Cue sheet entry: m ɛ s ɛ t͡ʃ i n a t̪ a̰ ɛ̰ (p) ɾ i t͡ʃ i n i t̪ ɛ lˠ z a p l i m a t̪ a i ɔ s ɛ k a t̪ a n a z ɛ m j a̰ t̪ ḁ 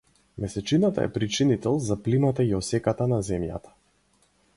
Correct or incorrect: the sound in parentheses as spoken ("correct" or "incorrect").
correct